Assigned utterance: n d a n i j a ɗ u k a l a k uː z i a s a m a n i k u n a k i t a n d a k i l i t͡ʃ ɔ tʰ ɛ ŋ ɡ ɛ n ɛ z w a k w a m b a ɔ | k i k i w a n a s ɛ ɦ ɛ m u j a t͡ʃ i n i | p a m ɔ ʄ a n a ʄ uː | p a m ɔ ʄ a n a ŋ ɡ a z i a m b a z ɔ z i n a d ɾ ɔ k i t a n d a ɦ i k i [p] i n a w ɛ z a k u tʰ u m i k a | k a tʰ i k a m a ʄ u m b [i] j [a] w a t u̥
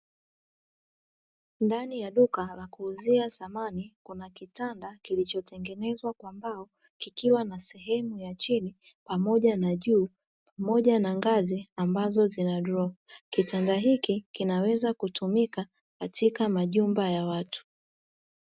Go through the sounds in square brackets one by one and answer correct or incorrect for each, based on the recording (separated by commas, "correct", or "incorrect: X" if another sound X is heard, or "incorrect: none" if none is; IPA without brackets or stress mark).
incorrect: k, incorrect: a, correct